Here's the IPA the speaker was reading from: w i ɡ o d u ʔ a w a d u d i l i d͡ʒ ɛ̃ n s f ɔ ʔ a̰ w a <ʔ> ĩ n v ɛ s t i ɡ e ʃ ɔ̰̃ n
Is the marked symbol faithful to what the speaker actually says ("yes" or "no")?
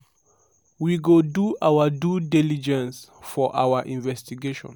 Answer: yes